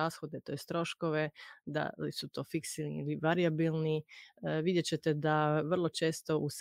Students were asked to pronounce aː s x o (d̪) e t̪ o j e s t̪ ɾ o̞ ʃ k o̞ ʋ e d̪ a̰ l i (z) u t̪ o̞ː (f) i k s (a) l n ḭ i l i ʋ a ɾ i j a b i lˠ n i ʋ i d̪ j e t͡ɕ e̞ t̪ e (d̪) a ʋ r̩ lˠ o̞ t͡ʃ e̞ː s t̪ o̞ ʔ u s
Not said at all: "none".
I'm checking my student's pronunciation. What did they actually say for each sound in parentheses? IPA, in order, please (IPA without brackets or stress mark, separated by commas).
d̪, s, f, i, d̪